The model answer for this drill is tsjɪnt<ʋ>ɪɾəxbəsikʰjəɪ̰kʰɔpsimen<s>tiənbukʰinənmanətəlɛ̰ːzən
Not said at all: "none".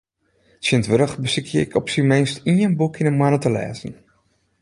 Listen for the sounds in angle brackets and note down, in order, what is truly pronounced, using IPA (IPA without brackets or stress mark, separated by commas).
ʋ, s